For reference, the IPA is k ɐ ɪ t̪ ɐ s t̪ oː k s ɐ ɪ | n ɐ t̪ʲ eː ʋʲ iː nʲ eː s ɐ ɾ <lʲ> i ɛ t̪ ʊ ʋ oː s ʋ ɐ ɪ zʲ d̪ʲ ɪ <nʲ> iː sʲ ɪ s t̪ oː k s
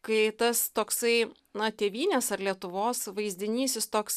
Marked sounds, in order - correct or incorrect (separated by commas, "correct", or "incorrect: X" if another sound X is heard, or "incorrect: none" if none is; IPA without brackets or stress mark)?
correct, correct